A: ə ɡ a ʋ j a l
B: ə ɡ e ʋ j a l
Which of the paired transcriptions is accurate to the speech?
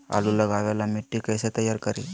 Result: A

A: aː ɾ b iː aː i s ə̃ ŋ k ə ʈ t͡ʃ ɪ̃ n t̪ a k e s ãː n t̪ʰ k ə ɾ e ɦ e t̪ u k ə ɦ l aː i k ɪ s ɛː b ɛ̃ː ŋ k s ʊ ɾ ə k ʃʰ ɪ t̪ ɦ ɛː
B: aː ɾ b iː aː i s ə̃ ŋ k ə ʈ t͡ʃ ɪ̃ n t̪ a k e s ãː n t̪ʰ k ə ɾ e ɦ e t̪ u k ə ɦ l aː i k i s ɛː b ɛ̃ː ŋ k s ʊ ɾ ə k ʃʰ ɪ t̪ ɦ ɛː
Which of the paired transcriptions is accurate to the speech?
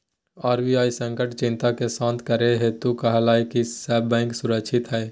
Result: B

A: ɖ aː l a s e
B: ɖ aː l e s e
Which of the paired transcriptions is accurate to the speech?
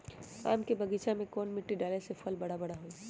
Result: B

